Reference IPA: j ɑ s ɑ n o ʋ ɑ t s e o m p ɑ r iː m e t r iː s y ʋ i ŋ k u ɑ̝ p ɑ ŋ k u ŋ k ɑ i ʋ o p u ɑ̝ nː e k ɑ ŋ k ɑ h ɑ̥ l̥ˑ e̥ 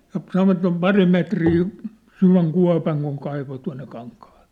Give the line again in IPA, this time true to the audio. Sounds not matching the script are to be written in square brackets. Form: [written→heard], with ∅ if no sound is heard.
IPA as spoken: j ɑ s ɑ n o ʋ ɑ t s e o m p ɑ r [iː→i] m e t r iː s y ʋ [i→æ] ŋ k u ɑ̝ p ɑ ŋ k u ŋ k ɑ i ʋ o [p→t] u ɑ̝ nː e k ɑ ŋ k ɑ h ɑ̥ l̥ˑ e̥